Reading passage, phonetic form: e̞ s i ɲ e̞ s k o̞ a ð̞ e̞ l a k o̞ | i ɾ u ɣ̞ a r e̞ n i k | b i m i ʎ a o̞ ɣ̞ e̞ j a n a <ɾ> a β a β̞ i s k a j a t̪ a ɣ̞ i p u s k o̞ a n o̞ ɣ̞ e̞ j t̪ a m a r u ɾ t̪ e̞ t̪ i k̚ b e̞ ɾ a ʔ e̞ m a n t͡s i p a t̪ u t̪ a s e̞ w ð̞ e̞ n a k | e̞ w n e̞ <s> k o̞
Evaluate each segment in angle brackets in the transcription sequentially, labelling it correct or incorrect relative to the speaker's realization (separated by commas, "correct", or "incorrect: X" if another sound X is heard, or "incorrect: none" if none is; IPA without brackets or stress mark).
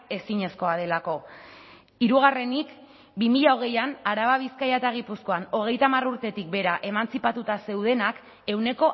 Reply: correct, incorrect: none